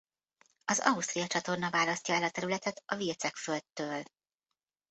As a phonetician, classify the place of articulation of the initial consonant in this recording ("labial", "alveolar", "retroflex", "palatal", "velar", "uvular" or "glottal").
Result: alveolar